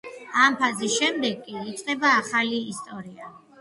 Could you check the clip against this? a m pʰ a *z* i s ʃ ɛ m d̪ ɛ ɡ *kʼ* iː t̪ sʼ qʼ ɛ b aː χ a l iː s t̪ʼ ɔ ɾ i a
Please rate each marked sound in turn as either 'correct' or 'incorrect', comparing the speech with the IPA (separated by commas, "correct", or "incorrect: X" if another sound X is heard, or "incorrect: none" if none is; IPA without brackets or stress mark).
correct, correct